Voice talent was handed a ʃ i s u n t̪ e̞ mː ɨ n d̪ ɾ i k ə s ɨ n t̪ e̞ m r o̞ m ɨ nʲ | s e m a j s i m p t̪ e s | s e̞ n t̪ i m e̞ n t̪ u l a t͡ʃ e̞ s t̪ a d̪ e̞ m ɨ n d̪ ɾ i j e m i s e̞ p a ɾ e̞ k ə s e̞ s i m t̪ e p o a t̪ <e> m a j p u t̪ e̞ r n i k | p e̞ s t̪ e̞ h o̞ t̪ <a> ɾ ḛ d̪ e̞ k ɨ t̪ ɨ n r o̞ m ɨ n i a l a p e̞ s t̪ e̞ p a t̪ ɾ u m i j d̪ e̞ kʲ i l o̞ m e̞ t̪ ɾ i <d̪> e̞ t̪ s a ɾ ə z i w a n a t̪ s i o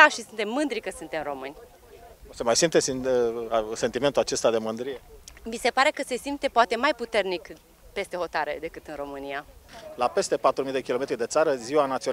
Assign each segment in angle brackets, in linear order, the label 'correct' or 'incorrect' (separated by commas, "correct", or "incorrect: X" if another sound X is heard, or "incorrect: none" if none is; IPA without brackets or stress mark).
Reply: correct, correct, correct